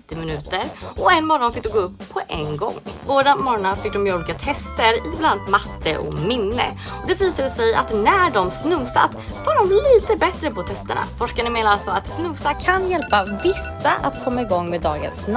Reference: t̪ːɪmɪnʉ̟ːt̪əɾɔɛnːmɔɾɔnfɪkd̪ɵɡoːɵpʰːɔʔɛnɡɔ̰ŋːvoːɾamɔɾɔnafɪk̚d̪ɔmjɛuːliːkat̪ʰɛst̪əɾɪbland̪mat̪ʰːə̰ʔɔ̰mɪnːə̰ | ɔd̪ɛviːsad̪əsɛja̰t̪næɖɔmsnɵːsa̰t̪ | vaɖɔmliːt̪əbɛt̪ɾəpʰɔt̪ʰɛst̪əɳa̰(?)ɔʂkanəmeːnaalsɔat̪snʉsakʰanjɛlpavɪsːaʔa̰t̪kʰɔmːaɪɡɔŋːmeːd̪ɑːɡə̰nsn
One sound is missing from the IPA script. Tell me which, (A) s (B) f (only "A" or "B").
B